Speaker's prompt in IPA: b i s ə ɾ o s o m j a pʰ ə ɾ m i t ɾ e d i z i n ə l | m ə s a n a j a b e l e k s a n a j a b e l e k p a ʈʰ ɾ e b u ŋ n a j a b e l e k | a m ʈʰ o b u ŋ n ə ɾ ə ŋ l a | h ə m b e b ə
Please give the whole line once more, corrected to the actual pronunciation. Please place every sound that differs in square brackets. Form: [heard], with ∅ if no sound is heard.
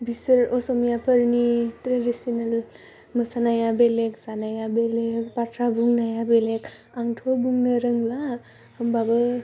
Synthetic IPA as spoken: b i s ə ɾ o s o m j a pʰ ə ɾ [n] i t ɾ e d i [s] i n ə l | m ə s a n a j a b e l e k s a n a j a b e l e k p a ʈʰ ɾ [a] b u ŋ n a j a b e l e k | a [ŋ] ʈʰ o b u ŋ n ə ɾ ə ŋ l a | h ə m b [a] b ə